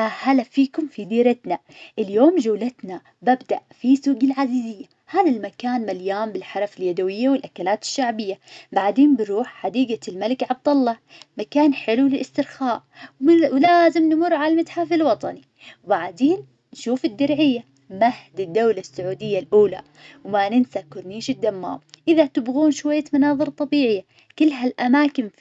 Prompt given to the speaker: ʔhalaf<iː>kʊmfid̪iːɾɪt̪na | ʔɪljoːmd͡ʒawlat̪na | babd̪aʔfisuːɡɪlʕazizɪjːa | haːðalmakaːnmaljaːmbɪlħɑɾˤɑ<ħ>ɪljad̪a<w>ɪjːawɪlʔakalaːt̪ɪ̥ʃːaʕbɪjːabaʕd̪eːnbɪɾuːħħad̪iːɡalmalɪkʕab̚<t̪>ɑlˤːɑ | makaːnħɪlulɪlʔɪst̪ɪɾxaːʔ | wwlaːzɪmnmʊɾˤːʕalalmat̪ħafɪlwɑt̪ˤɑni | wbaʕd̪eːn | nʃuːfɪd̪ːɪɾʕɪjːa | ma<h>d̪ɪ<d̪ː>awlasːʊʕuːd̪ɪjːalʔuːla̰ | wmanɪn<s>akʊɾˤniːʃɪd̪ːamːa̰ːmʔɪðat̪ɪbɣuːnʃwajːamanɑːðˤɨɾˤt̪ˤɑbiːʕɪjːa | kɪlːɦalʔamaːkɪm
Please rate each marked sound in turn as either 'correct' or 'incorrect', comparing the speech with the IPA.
correct, incorrect: f, correct, incorrect: d̪, correct, correct, correct

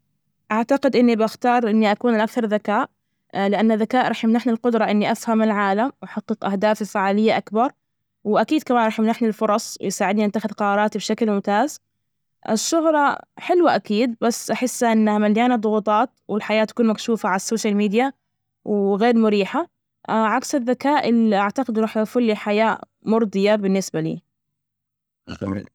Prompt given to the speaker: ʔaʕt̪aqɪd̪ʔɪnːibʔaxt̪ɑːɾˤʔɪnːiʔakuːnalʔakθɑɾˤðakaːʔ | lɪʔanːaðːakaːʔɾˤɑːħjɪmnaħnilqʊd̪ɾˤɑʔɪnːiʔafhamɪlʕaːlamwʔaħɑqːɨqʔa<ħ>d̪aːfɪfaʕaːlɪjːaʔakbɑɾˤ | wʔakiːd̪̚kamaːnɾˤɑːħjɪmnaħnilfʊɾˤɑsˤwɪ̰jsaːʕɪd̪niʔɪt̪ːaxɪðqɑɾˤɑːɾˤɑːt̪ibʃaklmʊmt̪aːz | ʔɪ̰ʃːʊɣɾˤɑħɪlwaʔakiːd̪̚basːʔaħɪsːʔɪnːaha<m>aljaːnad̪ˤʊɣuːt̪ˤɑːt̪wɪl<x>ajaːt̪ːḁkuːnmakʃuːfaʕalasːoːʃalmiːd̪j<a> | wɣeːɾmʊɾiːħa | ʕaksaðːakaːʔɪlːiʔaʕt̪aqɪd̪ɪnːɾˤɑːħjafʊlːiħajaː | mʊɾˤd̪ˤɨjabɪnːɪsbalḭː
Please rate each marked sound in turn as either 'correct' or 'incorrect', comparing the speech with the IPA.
incorrect: h, correct, incorrect: ħ, correct

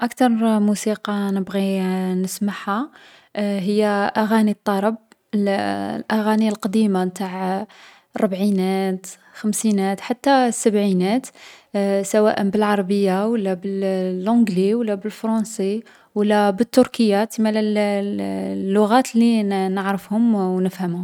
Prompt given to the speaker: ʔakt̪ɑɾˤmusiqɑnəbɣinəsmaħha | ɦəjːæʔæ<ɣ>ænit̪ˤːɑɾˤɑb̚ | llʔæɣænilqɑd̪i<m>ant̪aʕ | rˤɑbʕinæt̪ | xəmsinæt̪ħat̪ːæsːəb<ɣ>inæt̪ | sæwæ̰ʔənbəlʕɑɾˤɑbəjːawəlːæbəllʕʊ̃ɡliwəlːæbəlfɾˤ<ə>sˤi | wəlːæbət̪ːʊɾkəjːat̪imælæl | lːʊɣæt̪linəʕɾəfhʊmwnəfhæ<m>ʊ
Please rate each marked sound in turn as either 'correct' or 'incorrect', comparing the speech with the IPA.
correct, correct, incorrect: ʕ, incorrect: ɑ, correct

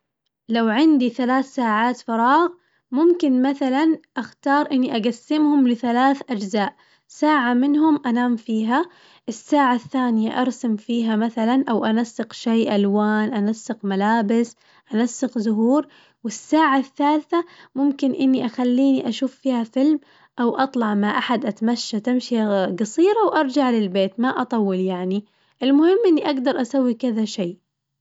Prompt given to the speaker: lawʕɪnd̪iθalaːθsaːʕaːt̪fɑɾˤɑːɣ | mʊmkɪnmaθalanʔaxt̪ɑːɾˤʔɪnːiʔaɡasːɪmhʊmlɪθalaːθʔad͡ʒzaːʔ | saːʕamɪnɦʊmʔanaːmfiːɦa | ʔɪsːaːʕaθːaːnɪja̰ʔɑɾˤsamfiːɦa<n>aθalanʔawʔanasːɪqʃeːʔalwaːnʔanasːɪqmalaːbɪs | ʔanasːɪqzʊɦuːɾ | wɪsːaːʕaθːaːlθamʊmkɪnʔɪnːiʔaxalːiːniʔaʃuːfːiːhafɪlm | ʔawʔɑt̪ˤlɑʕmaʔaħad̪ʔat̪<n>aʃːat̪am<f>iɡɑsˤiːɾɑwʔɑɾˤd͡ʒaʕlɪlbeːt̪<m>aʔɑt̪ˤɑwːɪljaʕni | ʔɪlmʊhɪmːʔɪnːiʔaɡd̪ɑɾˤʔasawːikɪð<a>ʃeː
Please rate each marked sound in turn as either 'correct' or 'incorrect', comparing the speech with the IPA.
incorrect: m, incorrect: m, incorrect: ʃ, correct, correct

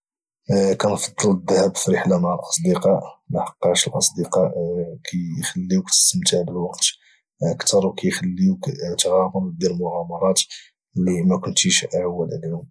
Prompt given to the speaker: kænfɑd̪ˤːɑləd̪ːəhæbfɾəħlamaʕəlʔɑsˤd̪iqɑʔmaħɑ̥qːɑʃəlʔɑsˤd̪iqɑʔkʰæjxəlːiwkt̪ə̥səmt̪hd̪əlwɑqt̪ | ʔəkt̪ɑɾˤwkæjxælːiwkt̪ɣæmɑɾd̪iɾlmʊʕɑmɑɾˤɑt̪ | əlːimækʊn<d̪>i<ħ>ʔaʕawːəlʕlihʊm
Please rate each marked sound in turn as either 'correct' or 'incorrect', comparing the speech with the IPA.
incorrect: t̪, incorrect: ʃ

